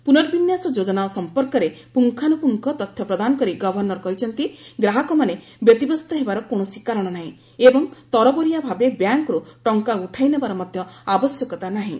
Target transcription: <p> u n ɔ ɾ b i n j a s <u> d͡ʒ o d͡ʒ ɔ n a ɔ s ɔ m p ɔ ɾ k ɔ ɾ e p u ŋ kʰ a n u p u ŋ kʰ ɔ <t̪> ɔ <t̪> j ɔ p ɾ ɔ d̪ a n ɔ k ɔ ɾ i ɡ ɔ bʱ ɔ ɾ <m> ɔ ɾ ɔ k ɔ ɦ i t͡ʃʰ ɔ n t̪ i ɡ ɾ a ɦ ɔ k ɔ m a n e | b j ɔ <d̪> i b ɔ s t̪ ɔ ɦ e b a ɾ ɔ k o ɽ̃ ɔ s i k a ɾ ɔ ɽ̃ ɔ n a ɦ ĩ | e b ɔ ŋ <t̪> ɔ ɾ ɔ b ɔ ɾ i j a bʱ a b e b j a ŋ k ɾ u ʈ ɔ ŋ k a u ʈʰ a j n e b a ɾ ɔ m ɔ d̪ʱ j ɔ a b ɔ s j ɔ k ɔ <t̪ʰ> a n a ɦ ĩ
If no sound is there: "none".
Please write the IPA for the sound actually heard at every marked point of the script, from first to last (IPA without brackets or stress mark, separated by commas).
p, ɔ, t̪, t̪ʰ, n, t̪, t̪, t̪